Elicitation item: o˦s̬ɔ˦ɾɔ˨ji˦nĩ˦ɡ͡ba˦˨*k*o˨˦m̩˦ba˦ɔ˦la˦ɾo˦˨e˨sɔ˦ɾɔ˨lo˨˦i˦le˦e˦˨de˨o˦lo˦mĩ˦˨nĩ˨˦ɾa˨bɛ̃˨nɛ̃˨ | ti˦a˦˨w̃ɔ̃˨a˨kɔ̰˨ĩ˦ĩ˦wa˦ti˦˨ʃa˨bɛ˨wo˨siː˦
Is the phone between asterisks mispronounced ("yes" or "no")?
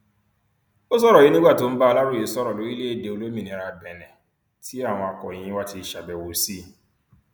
yes